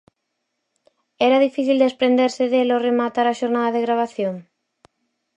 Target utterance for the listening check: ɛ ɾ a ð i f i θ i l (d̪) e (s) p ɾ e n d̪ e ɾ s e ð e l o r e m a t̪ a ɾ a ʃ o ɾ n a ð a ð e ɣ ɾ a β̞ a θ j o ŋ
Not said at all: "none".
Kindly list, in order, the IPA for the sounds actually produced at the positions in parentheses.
d̪, s

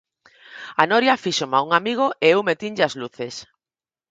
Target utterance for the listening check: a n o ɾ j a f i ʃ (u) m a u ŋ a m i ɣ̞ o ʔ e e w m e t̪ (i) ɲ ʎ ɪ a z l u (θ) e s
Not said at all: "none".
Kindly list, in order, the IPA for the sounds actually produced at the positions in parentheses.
o, i, θ

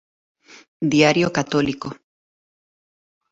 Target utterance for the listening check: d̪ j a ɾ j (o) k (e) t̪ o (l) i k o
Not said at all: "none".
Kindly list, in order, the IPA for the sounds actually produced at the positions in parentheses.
o, a, l

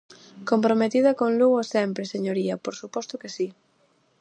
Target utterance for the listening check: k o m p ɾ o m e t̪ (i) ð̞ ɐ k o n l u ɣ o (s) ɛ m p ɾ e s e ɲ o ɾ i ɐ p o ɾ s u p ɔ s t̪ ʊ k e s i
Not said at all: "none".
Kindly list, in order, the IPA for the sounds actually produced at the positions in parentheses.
i, s

